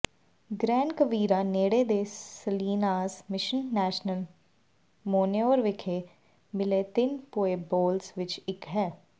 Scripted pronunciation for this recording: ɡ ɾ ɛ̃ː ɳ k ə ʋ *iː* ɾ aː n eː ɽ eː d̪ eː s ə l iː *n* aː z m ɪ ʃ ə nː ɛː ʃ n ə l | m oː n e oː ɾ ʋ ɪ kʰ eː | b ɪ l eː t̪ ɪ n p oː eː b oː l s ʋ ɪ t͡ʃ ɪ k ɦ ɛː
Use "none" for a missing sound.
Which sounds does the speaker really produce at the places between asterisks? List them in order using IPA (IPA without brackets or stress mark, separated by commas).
iː, n